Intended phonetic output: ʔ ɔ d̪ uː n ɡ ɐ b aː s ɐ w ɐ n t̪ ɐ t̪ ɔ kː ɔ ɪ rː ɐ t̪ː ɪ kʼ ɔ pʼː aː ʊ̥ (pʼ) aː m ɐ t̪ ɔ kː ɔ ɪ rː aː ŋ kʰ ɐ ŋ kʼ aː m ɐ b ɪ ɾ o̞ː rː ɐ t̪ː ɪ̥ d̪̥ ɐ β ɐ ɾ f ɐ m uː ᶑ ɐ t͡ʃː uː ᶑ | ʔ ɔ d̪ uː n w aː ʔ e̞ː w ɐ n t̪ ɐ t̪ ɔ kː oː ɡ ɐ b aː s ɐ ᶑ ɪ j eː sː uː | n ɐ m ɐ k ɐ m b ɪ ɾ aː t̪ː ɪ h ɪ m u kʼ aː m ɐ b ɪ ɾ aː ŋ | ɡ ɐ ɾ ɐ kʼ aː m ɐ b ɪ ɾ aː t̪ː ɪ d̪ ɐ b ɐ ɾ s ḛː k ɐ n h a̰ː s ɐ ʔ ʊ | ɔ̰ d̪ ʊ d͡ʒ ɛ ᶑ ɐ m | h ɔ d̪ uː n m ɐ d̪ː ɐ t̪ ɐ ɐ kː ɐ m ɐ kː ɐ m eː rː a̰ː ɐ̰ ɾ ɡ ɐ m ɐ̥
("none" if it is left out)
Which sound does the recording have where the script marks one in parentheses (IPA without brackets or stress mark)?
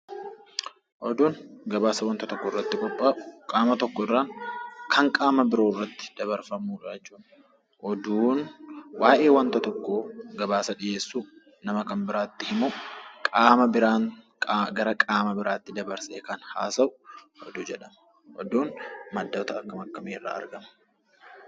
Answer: kʼ